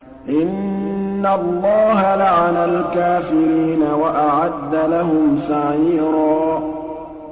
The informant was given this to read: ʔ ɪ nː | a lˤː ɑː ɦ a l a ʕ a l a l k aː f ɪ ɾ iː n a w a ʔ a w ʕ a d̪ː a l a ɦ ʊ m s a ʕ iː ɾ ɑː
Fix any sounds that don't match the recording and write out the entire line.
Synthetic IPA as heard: ʔ ɪ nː | a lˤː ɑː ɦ a l a ʕ a l a l k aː f ɪ ɾ iː n a w a ʔ a ʕ a d̪ː a l a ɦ ʊ m s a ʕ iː ɾ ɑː

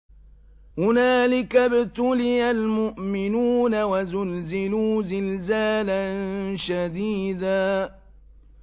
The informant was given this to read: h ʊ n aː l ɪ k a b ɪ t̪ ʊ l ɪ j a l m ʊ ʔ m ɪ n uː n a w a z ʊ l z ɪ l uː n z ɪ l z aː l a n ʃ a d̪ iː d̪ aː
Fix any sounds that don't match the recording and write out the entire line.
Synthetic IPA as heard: h ʊ n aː l ɪ k a b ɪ t̪ ʊ l ɪ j a l m ʊ ʔ m ɪ n uː n a w a z ʊ l z ɪ l uː z ɪ l z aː l a n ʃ a d̪ iː d̪ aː

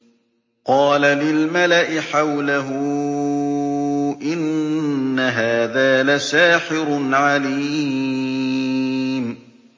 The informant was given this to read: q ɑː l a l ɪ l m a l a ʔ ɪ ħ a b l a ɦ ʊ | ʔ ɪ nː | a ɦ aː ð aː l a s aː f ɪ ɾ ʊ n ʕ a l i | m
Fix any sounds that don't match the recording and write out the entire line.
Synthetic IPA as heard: q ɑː l a l ɪ l m a l a ʔ ɪ ħ a w l a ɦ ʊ | ʔ ɪ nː | a ɦ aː ð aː l a s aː ħ ɪ ɾ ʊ n ʕ a l iː | m

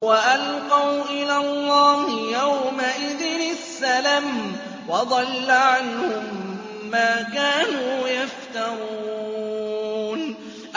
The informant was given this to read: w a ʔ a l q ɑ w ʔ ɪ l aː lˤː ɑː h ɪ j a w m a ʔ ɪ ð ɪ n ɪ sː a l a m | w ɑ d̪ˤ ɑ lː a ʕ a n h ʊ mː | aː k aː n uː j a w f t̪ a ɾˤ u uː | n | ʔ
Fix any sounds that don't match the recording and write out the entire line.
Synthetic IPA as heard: w a ʔ a l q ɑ w ʔ ɪ l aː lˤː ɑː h ɪ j a w m a ʔ ɪ ð ɪ n ɪ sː a l a m | w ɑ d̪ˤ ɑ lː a ʕ a n h ʊ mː | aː k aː n uː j a f t̪ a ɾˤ u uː | n | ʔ

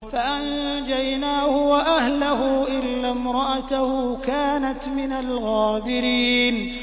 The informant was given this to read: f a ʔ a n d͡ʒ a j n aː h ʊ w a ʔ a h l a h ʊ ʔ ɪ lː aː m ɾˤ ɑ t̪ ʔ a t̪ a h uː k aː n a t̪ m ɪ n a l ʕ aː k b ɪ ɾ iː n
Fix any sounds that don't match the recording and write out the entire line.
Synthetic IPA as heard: f a ʔ a n d͡ʒ a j n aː h ʊ w a ʔ a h l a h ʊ ʔ ɪ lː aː m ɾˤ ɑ ʔ a t̪ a h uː k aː n a t̪ m ɪ n a l ɣ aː b ɪ ɾ iː n

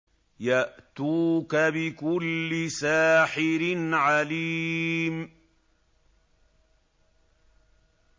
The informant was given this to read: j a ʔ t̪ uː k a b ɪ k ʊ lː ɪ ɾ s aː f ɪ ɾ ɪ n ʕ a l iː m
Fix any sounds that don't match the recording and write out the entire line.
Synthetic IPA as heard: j a ʔ t̪ uː k a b ɪ k ʊ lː ɪ s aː ħ ɪ ɾ ɪ n ʕ a l iː m

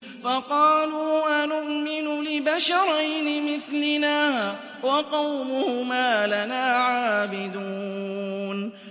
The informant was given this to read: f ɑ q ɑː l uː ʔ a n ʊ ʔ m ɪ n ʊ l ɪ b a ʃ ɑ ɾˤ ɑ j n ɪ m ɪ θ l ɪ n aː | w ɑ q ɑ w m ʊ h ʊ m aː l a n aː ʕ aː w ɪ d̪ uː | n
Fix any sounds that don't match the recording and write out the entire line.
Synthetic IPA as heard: f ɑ q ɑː l uː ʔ a n ʊ ʔ m ɪ n ʊ l ɪ b a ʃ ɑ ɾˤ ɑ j n ɪ m ɪ θ l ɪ n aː | w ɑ q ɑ w m ʊ h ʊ m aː l a n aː ʕ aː b ɪ d̪ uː | n

